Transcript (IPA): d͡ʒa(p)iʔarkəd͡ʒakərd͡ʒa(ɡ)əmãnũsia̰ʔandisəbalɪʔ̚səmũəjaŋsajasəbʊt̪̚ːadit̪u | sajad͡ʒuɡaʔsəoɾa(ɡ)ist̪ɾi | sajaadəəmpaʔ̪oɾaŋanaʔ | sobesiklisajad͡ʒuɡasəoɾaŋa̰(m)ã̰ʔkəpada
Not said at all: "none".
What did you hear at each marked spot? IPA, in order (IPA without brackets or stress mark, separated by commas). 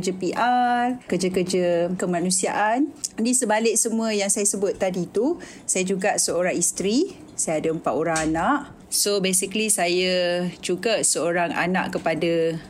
p, k, ŋ, n